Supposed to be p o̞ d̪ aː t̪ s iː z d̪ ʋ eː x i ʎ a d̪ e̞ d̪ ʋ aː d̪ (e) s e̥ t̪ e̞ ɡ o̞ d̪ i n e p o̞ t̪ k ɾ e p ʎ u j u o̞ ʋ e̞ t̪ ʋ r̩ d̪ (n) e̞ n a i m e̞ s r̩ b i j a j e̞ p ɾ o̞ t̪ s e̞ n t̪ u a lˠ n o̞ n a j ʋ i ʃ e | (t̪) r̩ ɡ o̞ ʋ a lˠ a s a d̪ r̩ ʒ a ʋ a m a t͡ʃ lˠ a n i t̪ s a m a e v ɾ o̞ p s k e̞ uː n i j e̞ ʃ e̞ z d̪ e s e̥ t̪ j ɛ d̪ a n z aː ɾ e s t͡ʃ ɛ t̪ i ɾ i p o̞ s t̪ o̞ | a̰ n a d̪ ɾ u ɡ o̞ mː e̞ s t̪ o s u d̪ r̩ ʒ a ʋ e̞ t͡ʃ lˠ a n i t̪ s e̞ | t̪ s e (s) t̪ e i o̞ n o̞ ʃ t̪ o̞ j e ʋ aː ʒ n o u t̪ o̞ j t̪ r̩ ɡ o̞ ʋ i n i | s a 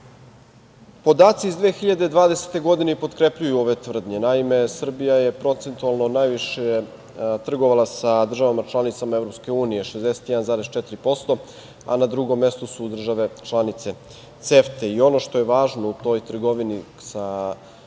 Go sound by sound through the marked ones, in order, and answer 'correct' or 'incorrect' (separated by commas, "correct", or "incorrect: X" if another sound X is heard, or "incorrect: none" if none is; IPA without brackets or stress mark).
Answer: correct, incorrect: ɲ, correct, incorrect: f